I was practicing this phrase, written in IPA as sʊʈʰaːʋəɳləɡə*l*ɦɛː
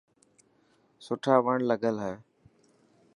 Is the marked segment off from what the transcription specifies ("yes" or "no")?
no